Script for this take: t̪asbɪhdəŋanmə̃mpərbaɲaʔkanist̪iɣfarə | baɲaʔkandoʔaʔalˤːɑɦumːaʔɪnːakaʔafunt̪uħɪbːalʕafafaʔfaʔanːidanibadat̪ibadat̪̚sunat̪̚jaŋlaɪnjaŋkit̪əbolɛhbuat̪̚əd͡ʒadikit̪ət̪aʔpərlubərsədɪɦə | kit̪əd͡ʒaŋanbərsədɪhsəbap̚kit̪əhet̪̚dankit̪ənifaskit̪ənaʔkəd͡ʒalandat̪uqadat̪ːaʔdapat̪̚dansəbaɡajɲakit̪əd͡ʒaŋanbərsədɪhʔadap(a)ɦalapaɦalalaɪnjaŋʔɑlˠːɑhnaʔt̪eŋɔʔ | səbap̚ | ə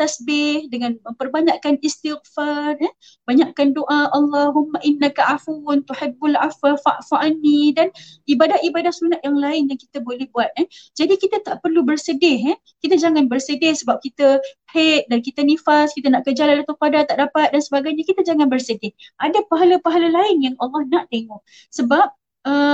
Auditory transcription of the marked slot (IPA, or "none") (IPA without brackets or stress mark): a